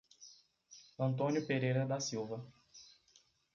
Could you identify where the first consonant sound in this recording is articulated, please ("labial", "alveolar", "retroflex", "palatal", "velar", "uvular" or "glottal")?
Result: alveolar